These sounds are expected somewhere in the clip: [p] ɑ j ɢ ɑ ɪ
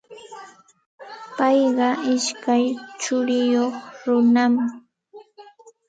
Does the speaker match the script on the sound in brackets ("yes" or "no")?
yes